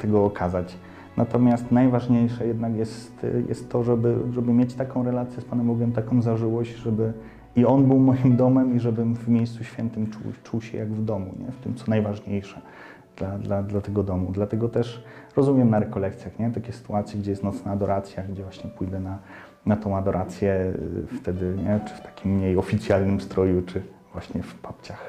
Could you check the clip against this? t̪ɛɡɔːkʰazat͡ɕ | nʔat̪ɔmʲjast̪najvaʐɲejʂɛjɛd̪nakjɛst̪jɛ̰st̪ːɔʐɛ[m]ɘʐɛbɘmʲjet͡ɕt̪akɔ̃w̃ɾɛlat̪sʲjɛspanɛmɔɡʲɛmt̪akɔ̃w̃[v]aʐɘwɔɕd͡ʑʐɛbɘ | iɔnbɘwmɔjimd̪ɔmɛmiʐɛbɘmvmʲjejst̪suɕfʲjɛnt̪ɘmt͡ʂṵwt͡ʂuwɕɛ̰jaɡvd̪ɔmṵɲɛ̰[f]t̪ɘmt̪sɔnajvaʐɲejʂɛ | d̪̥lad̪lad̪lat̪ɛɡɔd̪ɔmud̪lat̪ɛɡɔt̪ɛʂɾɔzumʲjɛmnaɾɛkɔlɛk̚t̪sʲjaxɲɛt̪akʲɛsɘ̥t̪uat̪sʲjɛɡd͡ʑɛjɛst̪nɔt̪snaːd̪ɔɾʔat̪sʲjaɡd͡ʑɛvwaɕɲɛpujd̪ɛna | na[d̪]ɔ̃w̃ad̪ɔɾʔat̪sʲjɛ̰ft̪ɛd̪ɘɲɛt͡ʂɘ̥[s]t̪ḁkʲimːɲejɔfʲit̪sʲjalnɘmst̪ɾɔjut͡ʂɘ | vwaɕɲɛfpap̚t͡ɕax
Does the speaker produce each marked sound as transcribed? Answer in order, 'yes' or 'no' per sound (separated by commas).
no, no, yes, no, no